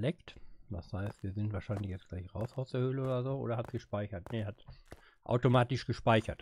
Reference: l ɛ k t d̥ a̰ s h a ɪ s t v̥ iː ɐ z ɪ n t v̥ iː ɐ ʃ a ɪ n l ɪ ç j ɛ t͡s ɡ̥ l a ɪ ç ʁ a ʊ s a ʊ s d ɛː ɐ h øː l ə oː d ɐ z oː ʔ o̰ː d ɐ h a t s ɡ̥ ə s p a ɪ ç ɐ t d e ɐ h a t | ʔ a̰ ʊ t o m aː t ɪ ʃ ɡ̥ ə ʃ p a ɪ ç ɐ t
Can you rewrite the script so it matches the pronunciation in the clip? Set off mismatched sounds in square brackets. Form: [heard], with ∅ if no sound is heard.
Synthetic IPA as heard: l ɛ k t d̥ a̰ s h a ɪ s t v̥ iː ɐ z ɪ n t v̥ [aː] ɐ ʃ a ɪ n l ɪ ç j ɛ t͡s ɡ̥ l a ɪ ç ʁ a ʊ s a ʊ s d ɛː ɐ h øː l ə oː d ɐ z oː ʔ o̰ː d ɐ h a t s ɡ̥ ə [ʃ] p a ɪ ç ɐ t [n] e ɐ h a t | ʔ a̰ ʊ t o m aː t ɪ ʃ ɡ̥ ə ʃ p a ɪ ç ɐ t